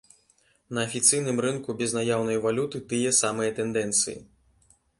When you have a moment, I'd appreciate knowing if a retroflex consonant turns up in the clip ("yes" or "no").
no